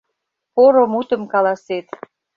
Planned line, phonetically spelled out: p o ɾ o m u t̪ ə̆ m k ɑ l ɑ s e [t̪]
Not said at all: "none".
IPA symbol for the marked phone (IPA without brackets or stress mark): t̪